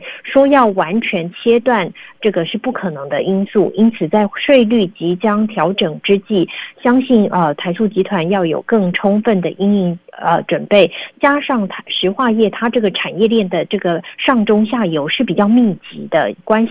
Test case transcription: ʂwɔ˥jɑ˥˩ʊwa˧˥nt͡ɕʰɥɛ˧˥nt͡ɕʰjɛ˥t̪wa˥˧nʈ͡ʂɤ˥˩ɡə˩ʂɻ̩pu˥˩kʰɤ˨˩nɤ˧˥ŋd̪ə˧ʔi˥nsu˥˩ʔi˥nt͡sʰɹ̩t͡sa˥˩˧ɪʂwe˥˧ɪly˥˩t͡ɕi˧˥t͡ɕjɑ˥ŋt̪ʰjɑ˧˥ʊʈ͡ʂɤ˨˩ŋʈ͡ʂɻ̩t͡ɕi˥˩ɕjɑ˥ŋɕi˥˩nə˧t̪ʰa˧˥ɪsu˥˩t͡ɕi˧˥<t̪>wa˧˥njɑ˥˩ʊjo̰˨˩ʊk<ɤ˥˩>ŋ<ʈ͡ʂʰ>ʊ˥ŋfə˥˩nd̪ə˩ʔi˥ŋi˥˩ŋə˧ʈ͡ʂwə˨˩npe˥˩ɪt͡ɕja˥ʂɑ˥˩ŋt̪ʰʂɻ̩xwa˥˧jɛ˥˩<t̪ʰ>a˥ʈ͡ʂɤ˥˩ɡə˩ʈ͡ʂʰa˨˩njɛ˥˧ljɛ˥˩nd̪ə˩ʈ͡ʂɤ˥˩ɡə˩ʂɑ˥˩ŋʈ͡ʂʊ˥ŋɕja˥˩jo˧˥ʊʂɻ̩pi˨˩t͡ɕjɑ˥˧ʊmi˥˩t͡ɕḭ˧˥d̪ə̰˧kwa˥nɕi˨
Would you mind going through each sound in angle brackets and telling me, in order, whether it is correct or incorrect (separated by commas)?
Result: incorrect, correct, correct, correct